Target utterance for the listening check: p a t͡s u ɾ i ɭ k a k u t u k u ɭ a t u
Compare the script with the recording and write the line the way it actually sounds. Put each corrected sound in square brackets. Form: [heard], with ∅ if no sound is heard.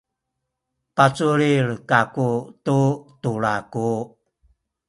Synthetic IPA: p a t͡s u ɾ i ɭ k a k u t u [t] u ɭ a [k] u